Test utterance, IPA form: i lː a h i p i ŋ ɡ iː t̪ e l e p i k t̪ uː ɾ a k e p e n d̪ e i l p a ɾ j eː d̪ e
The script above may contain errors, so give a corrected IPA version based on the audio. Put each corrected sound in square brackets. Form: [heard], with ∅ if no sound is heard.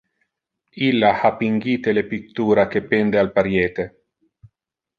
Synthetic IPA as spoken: i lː a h [a] p i ŋ ɡ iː t̪ e l e p i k t̪ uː ɾ a k e p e n d̪ e [a] l p a ɾ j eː [t̪] e